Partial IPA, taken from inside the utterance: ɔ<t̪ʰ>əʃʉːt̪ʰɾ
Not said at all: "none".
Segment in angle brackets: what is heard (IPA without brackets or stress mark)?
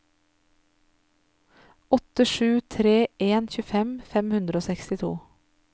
t̪